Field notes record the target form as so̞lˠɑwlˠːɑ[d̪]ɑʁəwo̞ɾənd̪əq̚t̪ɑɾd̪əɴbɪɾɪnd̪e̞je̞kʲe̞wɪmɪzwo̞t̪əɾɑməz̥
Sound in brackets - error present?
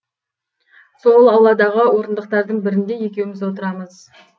no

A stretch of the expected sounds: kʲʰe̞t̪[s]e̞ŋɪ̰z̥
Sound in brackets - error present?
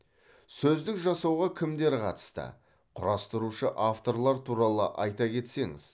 no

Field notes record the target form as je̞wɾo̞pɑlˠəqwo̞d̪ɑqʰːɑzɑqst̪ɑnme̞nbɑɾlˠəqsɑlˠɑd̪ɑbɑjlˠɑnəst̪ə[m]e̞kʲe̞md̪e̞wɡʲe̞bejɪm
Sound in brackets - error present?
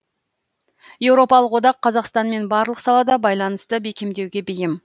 yes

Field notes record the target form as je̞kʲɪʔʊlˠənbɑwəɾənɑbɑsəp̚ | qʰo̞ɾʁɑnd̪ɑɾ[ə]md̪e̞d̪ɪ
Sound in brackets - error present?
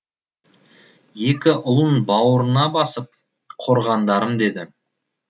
no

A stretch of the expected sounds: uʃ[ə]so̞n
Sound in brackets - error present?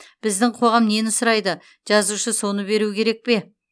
no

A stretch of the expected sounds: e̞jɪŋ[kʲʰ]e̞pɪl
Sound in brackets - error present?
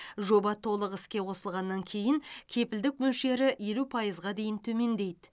no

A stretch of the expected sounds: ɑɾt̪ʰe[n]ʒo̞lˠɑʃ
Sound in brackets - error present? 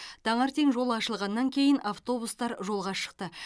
yes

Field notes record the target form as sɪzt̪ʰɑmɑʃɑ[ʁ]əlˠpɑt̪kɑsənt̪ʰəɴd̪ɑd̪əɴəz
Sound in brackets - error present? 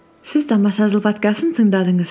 yes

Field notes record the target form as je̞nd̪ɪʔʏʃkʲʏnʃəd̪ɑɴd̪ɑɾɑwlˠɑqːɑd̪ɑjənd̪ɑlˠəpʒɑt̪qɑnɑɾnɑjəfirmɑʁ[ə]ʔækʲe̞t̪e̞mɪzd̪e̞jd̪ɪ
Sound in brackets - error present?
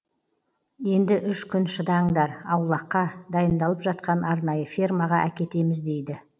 yes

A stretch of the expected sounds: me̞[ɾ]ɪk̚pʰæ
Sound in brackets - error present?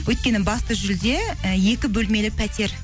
yes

